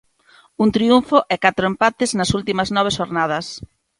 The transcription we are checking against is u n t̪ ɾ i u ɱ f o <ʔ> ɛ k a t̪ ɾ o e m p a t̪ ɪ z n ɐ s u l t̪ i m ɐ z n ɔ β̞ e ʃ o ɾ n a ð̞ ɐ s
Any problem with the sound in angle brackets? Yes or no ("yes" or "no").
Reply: no